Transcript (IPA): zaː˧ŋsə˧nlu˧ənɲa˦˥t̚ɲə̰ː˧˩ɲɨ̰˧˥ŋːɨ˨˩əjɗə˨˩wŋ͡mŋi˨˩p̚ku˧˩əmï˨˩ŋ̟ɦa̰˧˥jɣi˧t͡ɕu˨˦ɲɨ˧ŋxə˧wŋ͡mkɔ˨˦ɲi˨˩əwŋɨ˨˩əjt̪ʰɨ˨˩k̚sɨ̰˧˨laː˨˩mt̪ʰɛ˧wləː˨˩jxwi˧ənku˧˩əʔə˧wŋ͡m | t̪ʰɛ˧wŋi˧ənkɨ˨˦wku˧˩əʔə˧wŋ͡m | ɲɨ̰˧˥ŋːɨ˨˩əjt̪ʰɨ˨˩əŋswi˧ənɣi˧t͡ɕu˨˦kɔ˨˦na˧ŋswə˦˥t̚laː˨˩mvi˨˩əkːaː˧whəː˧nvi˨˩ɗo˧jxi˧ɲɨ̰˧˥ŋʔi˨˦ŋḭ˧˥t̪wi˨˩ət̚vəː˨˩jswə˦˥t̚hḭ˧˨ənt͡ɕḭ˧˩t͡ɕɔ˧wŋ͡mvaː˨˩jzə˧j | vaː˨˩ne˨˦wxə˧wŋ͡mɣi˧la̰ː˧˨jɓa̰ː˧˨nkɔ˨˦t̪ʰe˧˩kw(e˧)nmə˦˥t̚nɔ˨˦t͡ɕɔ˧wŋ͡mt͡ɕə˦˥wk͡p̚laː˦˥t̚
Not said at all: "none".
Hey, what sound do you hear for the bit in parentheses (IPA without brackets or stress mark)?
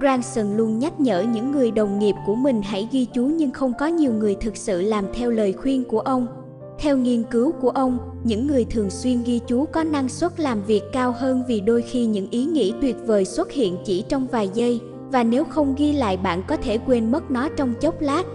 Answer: e˧